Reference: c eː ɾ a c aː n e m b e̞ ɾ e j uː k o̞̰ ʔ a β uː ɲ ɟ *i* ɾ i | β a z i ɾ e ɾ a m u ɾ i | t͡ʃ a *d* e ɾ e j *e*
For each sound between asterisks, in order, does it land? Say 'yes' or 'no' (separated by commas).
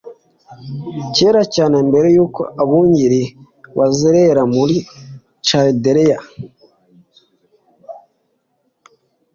yes, yes, no